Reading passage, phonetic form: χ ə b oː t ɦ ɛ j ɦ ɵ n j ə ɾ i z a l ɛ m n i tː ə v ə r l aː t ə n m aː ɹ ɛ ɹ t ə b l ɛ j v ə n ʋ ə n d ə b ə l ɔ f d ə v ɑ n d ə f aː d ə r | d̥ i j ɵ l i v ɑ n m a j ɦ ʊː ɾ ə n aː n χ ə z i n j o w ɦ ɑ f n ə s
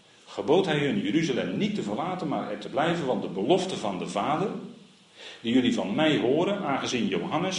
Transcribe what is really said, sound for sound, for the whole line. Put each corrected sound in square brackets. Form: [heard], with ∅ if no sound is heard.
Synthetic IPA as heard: χ ə b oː t ɦ ɛ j ɦ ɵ n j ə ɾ [y] z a l ɛ m n i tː ə v ə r l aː t ə n m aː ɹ ɛ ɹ t ə b l ɛ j v ə n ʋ [ɑ] n d ə b ə l ɔ f [t] ə v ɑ n d ə [v] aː d ə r | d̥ i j ɵ l i v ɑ n m [ɛ] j ɦ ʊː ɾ ə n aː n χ ə z i n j o w ɦ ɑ [∅] n ə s